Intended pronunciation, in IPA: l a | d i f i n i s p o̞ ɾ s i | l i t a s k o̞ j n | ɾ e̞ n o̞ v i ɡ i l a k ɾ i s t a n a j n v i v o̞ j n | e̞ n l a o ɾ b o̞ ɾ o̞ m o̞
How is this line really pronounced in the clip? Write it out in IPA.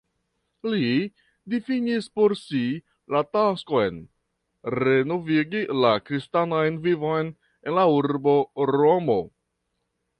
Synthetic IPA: l i | d i f i n i s p o̞ ɾ s i | l a t a s k o̞ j n | ɾ e̞ n o̞ v i ɡ i l a k ɾ i s t a n a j n v i v o̞ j n | e̞ n l a u ɾ b o̞ ɾ o̞ m o̞